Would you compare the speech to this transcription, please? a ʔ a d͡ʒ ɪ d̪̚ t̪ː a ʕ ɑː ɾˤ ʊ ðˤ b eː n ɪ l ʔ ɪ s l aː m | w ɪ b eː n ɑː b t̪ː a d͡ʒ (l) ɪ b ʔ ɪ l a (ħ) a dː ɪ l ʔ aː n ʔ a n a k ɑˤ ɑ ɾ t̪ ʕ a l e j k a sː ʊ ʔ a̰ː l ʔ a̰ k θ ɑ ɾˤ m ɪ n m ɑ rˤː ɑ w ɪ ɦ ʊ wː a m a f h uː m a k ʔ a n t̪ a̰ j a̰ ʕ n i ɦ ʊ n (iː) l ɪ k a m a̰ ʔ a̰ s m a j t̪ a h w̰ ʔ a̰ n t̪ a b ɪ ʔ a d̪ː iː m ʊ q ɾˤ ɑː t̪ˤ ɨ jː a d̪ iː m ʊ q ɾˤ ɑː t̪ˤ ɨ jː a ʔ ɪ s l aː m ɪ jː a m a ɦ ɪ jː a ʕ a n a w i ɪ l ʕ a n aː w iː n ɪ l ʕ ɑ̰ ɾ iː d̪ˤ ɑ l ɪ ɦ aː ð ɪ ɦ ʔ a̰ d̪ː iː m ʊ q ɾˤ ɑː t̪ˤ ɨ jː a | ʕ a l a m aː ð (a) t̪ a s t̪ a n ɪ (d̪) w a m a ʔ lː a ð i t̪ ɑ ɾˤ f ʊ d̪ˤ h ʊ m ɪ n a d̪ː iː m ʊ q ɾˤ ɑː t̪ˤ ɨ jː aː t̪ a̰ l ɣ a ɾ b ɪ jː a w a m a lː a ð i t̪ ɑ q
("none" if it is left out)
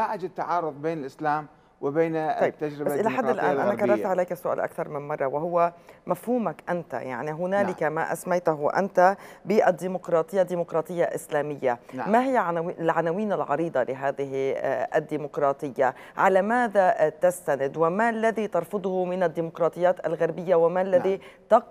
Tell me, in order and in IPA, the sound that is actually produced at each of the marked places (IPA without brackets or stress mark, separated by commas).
ɾ, ħ, aː, a, d̪